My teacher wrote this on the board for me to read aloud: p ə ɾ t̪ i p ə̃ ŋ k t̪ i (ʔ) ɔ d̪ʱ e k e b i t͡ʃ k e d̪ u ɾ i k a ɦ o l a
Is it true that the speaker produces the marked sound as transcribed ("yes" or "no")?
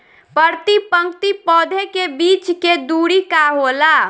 no